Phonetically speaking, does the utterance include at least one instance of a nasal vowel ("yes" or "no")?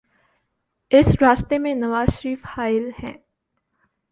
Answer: yes